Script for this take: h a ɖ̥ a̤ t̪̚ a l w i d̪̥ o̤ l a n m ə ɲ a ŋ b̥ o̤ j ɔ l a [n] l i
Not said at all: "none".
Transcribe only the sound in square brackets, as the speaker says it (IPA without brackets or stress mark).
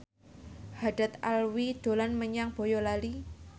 none